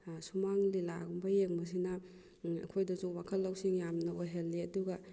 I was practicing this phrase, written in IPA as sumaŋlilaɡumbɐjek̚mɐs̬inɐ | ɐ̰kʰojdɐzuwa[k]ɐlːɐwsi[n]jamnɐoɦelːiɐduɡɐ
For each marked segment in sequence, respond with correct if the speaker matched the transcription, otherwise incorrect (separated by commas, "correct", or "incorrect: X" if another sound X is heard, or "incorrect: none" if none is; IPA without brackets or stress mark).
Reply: incorrect: kʰ, incorrect: ŋ